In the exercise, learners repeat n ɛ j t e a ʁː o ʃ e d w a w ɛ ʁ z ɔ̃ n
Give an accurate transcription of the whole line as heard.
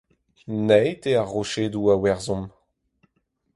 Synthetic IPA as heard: n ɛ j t e a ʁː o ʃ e d u a w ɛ ʁ z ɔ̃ m